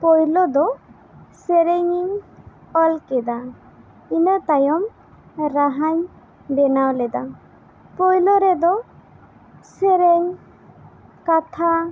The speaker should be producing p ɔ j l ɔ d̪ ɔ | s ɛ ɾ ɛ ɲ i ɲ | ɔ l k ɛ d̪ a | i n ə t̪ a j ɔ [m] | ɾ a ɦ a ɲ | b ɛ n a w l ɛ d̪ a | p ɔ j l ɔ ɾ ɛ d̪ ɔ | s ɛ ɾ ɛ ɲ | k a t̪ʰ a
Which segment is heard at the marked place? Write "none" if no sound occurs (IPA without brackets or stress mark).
m